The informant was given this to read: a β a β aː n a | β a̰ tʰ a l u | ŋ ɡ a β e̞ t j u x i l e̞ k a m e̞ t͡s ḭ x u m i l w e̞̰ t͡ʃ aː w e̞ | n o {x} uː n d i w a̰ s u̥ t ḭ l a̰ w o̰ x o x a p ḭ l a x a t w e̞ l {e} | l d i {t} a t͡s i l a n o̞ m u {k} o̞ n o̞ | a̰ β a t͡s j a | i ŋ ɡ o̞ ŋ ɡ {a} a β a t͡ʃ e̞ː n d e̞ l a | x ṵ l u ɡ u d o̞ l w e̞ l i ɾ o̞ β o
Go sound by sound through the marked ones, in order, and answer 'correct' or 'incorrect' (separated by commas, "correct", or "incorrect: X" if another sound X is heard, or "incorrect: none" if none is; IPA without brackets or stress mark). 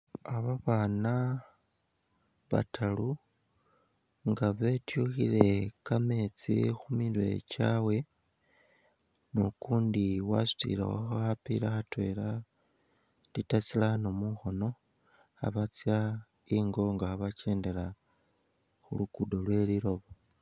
incorrect: k, incorrect: a, correct, incorrect: x, correct